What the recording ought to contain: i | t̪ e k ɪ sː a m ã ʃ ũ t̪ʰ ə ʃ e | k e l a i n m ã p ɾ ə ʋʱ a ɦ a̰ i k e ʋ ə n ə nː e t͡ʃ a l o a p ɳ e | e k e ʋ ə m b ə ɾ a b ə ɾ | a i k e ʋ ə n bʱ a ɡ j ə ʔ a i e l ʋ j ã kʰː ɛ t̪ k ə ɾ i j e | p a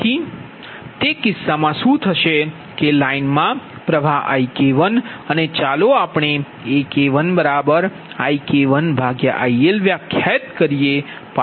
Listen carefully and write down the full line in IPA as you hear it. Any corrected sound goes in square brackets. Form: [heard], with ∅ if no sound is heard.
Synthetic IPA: i | t̪ e k ɪ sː a m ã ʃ ũ t̪ʰ ə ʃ e | k e l a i n m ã p ɾ ə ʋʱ a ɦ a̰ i k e ʋ ə n ə [n] e t͡ʃ a l o a p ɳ e | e k e ʋ ə [n] b ə ɾ a b ə ɾ | a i k e ʋ ə n bʱ a ɡ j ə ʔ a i e l ʋ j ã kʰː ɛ t̪ k ə ɾ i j e | p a

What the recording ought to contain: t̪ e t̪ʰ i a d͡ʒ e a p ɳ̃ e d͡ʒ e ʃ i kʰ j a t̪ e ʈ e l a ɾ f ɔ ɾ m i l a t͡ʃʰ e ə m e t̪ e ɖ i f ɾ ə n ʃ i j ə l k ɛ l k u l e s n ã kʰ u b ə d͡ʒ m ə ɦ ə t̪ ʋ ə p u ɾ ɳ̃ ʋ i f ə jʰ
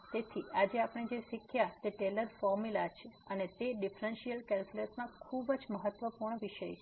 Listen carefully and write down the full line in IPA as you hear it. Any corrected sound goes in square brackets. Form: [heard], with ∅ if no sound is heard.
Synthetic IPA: t̪ e t̪ʰ i a d͡ʒ e a p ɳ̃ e d͡ʒ e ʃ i kʰ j a t̪ e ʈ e l [ə] ɾ f ɔ ɾ m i l a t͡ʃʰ e ə [n] e t̪ e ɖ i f ɾ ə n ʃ i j ə l k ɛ l k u l e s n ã kʰ u b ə d͡ʒ m ə ɦ ə t̪ ʋ ə p u ɾ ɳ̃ ʋ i [ʃ] ə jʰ

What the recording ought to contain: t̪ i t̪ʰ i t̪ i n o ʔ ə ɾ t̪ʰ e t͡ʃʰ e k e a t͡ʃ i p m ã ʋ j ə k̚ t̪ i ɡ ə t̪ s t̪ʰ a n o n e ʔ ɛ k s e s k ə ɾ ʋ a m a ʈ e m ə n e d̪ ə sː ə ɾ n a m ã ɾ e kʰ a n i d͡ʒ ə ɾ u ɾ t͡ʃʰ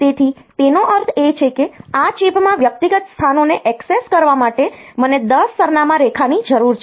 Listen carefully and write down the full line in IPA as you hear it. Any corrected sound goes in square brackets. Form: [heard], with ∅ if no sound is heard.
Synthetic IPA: t̪ [e] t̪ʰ i t̪ [e] n o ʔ ə ɾ t̪ʰ e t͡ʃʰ e k e a t͡ʃ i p m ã ʋ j ə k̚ t̪ i ɡ ə t̪ s t̪ʰ a n o n e ʔ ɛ k s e s k ə ɾ ʋ a m a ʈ e m ə n e d̪ ə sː ə ɾ n a m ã ɾ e kʰ a n i d͡ʒ ə ɾ u ɾ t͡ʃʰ

